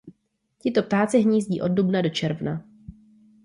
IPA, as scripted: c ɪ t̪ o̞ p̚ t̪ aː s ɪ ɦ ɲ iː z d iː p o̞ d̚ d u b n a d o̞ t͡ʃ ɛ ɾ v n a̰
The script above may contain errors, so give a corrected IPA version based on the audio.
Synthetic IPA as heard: c ɪ t̪ o̞ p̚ t̪ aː t͡s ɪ ɦ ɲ iː z ɟ iː ʔ o̞ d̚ d u b n a d o̞ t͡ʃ ɛ ɾ v n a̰